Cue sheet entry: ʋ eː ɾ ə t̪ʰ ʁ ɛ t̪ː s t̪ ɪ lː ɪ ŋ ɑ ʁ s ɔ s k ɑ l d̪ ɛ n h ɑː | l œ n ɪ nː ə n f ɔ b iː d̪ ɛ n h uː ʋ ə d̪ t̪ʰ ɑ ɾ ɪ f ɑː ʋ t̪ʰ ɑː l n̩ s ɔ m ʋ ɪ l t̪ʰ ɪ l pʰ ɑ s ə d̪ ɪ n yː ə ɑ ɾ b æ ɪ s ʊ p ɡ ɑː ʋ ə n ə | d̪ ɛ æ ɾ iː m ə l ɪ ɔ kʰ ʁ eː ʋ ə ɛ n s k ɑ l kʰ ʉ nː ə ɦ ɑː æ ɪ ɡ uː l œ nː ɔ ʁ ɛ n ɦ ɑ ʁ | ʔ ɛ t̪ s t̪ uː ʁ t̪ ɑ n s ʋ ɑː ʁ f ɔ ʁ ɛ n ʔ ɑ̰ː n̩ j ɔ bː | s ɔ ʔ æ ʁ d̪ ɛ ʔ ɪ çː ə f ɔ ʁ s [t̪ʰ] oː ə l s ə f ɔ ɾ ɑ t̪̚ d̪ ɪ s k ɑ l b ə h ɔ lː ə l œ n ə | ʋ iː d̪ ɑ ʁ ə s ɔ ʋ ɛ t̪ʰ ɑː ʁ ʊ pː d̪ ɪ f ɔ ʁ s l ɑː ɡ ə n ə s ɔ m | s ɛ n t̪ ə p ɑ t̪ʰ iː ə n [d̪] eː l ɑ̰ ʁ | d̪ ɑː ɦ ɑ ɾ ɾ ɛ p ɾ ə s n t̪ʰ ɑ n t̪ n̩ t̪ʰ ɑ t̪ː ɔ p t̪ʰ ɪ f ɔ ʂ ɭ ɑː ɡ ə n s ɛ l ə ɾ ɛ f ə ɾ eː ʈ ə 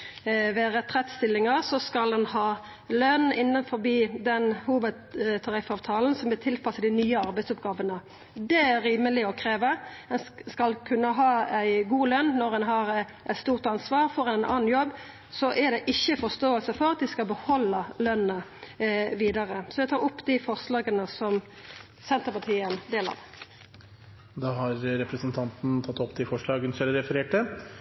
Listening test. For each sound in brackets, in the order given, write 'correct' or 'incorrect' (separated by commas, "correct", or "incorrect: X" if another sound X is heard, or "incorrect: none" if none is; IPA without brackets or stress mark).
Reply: incorrect: t̪, correct